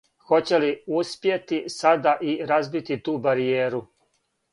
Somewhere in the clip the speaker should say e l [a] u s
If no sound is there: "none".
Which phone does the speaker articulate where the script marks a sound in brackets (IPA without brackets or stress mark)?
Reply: i